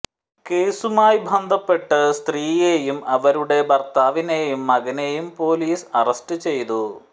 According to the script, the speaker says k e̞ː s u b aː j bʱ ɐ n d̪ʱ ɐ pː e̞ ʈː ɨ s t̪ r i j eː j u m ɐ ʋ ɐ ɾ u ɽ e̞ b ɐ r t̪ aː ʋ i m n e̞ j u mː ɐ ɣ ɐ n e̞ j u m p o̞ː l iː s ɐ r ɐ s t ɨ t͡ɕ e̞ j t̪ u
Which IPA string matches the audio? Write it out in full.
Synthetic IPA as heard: k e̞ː s u m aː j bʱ ɐ n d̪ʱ ɐ pː e̞ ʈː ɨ s t̪ r iː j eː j u m ɐ ʋ ɐ ɾ u ɽ e̞ b ɐ r t̪ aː ʋ i n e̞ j u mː ɐ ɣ ɐ n e̞ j u m p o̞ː l iː s ɐ r ɐ s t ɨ t͡ɕ e̞ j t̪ u